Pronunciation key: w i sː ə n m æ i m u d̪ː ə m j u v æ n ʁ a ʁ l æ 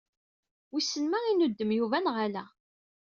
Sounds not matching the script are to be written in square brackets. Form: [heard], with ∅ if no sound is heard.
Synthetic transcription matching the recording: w i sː ə n m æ i [n] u d̪ː ə m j u v æ n ʁ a [∅] l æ